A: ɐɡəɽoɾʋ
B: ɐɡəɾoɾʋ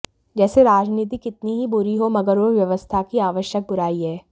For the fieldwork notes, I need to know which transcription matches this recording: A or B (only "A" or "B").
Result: B